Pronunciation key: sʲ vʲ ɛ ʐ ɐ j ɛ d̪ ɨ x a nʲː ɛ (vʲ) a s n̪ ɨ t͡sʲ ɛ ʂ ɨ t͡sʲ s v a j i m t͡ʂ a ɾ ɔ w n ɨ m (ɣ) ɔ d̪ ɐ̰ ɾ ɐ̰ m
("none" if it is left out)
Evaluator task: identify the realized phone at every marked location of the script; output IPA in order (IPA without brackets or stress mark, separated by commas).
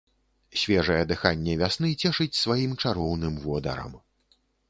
vʲ, v